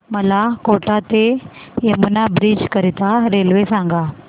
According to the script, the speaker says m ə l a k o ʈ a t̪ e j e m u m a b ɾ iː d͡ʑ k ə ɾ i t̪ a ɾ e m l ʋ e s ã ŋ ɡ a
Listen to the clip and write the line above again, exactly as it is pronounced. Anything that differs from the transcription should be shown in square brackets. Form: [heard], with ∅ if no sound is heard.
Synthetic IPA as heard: m ə l a k o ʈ a t̪ e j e m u [n] a b ɾ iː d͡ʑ k ə ɾ i t̪ a ɾ e [∅] l ʋ e s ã ŋ ɡ a